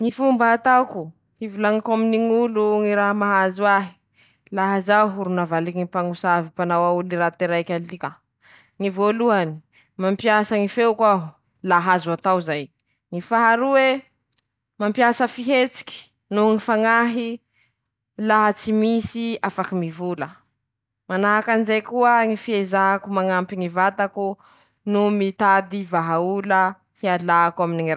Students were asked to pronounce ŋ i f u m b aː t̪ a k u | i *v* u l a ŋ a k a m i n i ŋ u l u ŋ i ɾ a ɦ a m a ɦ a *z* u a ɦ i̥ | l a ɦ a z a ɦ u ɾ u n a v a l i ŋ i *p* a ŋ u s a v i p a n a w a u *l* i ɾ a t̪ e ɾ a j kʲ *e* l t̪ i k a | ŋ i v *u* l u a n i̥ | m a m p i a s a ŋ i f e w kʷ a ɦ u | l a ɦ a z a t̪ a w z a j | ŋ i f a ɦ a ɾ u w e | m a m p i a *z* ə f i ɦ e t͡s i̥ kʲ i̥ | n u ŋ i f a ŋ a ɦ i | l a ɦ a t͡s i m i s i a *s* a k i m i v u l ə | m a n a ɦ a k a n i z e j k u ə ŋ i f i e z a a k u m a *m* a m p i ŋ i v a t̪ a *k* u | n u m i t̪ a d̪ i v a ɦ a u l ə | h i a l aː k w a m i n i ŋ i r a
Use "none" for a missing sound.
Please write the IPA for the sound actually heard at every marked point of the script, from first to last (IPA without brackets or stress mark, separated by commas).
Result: v, z, p, l, a, o, s, f, ŋ, k